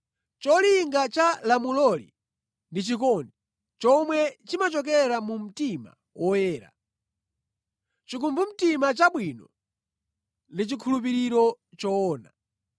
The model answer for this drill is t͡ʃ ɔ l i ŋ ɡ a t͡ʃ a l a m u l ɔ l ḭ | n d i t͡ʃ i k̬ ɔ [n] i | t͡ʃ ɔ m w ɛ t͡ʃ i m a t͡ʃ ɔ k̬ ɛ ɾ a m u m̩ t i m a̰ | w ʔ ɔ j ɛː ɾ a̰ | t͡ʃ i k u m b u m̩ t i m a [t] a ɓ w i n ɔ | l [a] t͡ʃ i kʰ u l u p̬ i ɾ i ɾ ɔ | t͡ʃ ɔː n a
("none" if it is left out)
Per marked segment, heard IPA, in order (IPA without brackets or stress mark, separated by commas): n, t͡ʃ, i